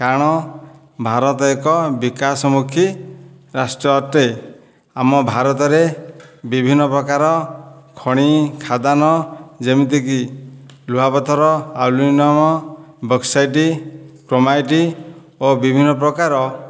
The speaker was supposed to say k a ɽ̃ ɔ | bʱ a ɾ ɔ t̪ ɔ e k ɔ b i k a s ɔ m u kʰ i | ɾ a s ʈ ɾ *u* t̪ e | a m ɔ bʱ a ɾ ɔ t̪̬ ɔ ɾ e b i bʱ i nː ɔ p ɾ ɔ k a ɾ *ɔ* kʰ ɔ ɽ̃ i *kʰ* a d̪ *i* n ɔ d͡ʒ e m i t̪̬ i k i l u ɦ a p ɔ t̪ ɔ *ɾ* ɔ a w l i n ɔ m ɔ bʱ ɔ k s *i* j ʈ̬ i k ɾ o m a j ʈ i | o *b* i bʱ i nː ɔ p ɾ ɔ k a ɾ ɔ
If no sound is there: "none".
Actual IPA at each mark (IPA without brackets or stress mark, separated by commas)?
ɔ, ɔ, kʰ, a, ɾ, a, b